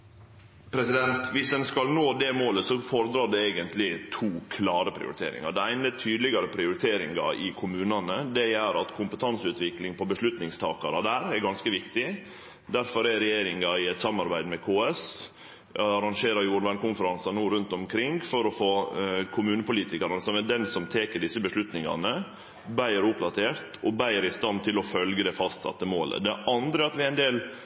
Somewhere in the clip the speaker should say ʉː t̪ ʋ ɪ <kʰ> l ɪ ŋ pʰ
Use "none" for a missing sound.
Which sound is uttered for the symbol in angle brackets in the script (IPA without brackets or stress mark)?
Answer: k